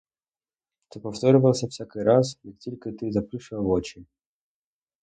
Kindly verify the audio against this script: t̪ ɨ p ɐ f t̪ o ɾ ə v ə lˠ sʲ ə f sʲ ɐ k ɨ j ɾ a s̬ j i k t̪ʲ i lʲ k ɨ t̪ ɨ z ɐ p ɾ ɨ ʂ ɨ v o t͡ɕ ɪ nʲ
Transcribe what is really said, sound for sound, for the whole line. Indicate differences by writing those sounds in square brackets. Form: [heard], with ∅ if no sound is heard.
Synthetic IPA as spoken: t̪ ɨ p ɐ f t̪ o ɾ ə v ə lˠ sʲ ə f sʲ [a] k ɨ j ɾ a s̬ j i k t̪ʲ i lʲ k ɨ t̪ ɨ z ɐ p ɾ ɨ ʂ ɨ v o t͡ɕ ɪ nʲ

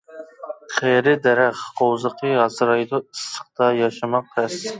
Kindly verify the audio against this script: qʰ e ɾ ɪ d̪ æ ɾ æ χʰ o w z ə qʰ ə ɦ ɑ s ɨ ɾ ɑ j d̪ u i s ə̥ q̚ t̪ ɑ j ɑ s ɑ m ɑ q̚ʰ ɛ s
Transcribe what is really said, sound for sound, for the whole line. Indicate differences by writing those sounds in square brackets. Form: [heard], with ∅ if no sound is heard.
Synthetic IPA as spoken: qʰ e ɾ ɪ d̪ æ ɾ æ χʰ o w z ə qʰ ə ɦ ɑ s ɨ ɾ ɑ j d̪ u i s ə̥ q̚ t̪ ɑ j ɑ [ʃ] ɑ m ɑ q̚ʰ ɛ s

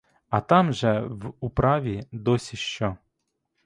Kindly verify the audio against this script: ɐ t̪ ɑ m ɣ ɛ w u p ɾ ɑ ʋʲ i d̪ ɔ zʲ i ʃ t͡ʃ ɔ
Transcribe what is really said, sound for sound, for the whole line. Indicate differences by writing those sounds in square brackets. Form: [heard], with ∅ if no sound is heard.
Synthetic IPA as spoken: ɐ t̪ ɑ m [ʒ] ɛ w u p ɾ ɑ ʋʲ i d̪ ɔ [sʲ] i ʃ t͡ʃ ɔ

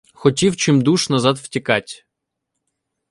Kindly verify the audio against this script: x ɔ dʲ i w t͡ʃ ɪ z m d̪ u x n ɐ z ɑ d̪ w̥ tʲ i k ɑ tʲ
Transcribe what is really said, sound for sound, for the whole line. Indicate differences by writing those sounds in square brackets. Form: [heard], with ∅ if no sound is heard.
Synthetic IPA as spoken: x ɔ [tʲ] i w t͡ʃ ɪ [∅] m d̪ u [ʃ] n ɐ z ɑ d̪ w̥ tʲ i k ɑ tʲ

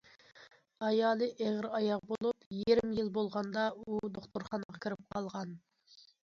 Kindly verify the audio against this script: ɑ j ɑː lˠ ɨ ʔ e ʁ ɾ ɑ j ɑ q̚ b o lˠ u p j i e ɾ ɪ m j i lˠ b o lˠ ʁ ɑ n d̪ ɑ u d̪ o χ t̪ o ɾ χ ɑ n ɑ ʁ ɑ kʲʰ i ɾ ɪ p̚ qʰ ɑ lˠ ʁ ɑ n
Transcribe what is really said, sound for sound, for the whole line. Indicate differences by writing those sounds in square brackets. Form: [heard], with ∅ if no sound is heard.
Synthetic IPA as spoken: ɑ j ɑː lˠ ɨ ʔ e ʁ ɾ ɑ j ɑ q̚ b o lˠ u p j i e ɾ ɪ m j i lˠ b o lˠ ʁ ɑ n d̪ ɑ u d̪ o χ t̪ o ɾ χ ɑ n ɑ ʁ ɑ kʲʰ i ɾ ɪ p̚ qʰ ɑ lˠ ʁ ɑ n

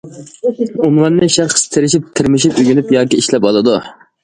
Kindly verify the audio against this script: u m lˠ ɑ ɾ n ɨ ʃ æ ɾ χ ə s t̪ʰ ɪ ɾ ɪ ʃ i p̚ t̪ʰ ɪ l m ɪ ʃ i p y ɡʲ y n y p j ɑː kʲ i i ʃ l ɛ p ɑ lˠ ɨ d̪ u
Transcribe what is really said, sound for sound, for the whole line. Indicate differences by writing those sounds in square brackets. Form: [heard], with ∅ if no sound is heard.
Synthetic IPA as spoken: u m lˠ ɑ ɾ n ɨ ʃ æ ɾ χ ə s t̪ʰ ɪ ɾ ɪ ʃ i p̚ t̪ʰ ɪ [ɾ] m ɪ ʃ i p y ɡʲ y n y p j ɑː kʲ i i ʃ l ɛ p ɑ lˠ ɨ d̪ u

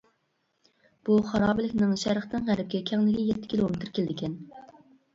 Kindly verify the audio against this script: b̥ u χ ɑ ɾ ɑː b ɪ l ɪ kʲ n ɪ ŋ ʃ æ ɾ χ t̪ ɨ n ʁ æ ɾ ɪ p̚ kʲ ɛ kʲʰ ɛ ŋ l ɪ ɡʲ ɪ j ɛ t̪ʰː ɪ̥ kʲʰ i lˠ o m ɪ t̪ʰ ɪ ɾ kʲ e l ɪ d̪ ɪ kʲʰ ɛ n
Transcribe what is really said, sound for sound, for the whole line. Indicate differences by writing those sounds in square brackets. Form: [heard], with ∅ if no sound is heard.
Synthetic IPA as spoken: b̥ u χ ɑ ɾ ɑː b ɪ l ɪ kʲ n ɪ ŋ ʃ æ ɾ χ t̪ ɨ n ʁ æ ɾ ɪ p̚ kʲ ɛ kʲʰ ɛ ŋ l ɪ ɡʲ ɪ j ɛ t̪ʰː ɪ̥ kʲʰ i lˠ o m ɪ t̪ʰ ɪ ɾ kʲ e l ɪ d̪ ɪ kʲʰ ɛ n

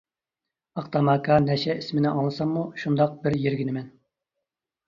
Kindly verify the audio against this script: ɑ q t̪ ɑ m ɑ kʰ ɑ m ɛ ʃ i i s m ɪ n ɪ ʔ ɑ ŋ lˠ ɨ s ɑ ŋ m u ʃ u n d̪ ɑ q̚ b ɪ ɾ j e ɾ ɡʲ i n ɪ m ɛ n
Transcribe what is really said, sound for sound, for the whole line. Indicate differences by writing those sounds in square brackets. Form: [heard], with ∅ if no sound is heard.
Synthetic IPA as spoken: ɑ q t̪ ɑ m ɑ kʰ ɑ [n] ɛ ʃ [ɛ] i s m ɪ n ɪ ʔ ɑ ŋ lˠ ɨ s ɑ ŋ m u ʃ u n d̪ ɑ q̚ b ɪ ɾ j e ɾ ɡʲ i n ɪ m ɛ n

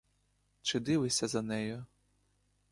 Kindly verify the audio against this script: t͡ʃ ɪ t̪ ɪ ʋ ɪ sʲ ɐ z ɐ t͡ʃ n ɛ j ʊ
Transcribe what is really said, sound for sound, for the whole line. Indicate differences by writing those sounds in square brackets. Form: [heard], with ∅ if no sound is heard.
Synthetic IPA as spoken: t͡ʃ ɪ [d̪] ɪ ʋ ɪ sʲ ɐ z ɐ [∅] n ɛ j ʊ

